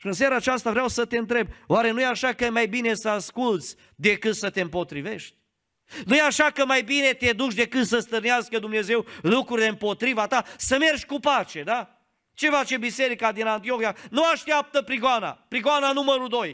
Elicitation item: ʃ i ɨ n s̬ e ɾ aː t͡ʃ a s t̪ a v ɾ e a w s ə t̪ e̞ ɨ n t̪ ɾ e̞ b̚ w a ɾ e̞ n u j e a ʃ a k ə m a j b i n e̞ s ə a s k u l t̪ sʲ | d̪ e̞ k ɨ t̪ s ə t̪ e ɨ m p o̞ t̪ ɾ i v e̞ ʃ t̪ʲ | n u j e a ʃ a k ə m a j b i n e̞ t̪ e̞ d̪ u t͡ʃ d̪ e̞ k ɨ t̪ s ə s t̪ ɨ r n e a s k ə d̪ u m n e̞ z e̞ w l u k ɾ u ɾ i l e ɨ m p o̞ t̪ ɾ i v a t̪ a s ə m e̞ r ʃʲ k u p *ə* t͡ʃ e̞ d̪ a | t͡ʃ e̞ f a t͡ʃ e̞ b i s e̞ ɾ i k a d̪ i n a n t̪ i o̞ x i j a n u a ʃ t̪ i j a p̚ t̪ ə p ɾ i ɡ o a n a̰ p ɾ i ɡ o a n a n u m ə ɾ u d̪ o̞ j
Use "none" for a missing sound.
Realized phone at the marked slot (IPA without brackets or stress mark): a